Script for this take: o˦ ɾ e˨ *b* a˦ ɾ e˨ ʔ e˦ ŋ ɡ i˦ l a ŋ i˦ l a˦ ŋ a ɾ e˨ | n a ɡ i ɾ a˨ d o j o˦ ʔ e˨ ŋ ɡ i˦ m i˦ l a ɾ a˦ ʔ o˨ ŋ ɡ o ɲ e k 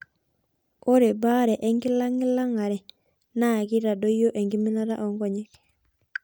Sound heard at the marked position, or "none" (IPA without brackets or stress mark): b